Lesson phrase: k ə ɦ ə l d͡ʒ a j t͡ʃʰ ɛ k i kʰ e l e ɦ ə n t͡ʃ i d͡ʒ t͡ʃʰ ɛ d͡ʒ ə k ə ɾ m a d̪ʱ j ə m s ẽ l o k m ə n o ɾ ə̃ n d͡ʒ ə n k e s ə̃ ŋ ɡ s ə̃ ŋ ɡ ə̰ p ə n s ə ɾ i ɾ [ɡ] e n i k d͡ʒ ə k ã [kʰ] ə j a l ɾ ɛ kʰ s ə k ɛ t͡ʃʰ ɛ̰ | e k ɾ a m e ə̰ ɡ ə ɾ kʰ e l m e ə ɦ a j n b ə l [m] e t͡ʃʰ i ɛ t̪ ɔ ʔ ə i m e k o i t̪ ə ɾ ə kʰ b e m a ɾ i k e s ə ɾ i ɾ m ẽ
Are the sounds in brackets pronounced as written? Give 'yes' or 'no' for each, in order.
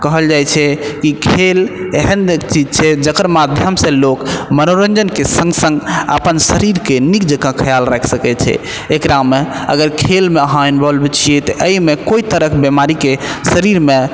no, yes, no

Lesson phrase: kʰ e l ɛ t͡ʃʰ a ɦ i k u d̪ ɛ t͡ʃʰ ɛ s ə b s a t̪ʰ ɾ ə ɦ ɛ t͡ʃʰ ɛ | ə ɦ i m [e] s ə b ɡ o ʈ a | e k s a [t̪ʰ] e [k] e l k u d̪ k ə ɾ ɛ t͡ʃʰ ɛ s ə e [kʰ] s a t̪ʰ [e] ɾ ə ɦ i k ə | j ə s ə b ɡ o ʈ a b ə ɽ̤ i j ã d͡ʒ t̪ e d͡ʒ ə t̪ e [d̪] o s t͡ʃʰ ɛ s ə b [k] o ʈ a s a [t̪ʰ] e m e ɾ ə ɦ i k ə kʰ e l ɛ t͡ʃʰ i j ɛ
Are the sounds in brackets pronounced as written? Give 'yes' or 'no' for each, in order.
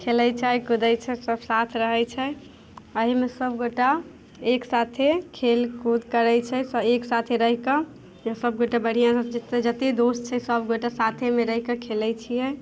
yes, yes, no, no, yes, yes, no, yes

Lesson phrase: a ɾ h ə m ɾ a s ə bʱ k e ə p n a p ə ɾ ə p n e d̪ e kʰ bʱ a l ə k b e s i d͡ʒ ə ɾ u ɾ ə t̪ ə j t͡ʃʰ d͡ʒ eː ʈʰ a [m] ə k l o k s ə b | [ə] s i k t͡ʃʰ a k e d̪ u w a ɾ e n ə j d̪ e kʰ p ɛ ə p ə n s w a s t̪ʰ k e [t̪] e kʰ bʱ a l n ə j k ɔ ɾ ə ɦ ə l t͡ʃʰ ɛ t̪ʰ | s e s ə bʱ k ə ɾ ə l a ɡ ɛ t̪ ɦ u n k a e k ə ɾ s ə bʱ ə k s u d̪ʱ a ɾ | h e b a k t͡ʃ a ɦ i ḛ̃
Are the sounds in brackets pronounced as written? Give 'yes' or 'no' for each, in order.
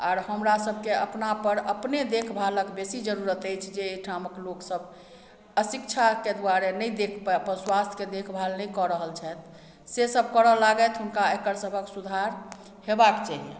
yes, yes, no

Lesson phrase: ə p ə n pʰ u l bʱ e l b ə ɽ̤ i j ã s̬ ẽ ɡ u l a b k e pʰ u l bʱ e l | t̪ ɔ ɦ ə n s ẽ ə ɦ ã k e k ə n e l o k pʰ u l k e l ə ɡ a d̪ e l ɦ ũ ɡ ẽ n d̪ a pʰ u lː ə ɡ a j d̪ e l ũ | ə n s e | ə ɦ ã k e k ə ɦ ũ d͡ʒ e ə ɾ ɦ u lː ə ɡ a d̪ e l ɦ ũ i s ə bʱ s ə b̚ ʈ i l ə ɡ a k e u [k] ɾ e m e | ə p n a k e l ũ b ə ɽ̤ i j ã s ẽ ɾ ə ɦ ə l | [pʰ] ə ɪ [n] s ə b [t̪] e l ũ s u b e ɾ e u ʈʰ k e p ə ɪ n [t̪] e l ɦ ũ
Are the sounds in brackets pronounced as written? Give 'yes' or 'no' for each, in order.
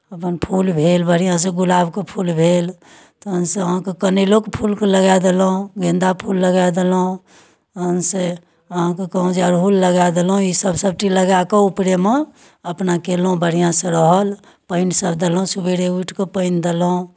no, no, yes, no, no

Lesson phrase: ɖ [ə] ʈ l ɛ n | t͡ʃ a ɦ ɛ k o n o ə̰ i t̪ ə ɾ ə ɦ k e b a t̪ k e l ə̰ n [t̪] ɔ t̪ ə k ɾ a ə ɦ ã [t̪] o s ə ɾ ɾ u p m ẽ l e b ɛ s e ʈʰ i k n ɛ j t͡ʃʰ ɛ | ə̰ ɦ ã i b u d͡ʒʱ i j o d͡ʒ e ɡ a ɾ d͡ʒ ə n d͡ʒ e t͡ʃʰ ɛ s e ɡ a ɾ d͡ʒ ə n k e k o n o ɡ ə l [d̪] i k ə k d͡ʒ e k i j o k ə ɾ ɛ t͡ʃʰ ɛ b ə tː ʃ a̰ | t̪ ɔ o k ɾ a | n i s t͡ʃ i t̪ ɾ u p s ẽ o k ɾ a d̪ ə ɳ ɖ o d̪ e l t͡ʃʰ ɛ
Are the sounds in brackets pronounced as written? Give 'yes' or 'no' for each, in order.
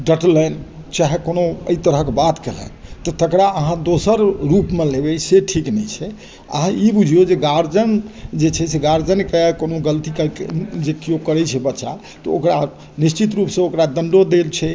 yes, yes, no, no

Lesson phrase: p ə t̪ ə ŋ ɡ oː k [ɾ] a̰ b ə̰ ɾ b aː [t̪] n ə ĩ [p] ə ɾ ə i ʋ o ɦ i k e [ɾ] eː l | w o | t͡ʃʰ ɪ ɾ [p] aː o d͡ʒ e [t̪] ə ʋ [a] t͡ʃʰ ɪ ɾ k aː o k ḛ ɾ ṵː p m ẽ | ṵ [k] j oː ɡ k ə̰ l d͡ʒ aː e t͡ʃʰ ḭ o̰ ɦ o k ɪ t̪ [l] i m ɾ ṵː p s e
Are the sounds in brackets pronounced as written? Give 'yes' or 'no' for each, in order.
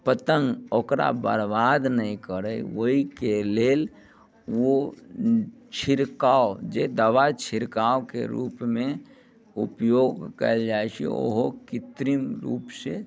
yes, no, no, no, no, no, yes, no, no

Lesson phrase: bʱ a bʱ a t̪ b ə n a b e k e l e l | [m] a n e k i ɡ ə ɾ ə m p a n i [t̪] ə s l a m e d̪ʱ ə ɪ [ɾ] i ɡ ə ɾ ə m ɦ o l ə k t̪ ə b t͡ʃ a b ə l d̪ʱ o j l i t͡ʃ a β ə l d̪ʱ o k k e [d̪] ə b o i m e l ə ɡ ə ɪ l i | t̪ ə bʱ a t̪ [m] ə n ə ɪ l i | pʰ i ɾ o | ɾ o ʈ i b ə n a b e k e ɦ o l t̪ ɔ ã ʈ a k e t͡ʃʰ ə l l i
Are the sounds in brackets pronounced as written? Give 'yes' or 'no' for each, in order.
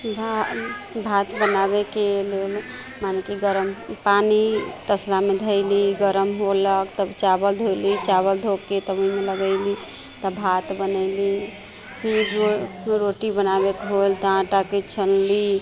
yes, yes, no, no, no

